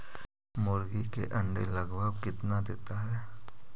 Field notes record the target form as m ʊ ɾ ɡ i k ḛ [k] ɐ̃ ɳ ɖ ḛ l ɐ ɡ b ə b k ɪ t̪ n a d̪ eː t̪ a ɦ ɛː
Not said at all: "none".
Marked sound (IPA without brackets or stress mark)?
ʔ